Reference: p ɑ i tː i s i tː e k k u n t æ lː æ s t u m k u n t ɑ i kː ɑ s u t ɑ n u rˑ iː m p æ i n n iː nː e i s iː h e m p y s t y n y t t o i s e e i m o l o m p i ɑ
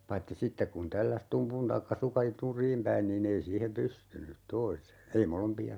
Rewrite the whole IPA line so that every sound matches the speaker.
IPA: p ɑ i tː i s i tː e k k u n t æ lː æ s t u m p u n t ɑ i kː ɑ s u k ɑ n u rˑ iː m p æ i n n iː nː e i s iː h e m p y s t y n y t t o i s e e i m o l o m p i ɑ